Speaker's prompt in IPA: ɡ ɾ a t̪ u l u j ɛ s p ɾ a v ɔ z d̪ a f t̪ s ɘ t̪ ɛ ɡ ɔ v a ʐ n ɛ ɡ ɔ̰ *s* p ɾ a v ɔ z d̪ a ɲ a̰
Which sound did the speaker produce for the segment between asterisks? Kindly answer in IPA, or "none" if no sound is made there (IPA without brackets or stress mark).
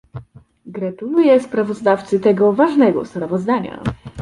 s